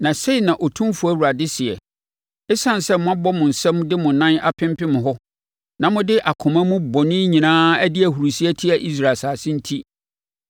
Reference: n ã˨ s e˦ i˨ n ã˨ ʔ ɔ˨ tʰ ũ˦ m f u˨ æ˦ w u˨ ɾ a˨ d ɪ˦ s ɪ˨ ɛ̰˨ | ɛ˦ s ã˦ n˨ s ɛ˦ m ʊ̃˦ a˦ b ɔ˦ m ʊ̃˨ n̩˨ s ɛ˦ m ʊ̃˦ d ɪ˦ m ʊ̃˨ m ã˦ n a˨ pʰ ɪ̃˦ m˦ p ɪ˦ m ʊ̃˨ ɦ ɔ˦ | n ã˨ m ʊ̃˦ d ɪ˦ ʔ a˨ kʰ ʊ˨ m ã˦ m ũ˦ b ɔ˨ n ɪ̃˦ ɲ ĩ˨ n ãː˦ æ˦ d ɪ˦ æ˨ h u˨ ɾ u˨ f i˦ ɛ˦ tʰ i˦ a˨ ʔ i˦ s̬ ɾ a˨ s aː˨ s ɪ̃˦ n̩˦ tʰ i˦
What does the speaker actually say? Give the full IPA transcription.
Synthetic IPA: n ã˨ s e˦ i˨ n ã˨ ʔ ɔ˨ tʰ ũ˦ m f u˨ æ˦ w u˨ ɾ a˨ d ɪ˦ s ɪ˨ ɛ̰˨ | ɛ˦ s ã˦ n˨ s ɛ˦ m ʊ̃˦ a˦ b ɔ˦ m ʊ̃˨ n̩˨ s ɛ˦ m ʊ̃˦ d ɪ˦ m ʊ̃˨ n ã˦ n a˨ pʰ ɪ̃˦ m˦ p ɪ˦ m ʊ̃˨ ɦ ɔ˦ | n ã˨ m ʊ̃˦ d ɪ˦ ʔ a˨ kʰ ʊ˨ m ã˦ m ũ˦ b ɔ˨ n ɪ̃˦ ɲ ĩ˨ n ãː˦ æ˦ d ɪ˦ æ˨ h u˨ ɾ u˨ s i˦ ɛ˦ tʰ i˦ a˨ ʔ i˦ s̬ ɾ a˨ s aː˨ s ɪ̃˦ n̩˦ tʰ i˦